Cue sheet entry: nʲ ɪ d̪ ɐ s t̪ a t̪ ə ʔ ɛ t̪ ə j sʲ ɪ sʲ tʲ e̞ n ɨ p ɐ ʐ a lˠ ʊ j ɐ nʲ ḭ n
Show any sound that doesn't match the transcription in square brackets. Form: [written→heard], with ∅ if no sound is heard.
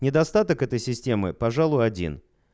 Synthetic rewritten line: nʲ ɪ d̪ ɐ s t̪ a t̪ ə [ʔ→k] ɛ t̪ ə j sʲ ɪ sʲ tʲ e̞ [n→m] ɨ p ɐ ʐ a lˠ ʊ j ɐ [nʲ→dʲ] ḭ n